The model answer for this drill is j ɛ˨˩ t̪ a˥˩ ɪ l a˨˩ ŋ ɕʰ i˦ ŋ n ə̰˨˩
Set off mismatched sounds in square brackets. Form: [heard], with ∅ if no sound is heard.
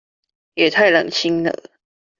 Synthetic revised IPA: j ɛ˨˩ [t̪ʰ] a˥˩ ɪ l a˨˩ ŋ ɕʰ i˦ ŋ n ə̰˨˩